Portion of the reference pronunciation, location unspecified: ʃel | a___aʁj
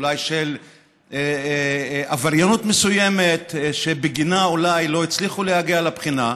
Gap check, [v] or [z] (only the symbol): v